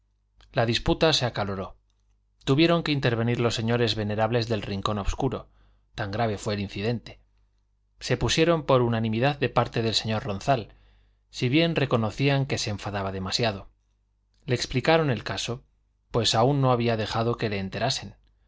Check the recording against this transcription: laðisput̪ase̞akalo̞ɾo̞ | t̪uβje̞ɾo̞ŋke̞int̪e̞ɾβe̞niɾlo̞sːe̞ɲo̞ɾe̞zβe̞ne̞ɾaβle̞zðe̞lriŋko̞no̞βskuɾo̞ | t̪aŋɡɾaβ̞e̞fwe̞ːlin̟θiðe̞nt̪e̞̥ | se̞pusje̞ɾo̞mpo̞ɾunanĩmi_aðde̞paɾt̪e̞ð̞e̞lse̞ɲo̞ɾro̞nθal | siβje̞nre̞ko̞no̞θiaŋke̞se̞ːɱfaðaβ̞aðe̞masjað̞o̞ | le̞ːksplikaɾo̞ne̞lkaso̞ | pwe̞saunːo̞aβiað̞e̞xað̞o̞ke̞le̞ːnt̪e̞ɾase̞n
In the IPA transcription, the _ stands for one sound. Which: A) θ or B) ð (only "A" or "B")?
B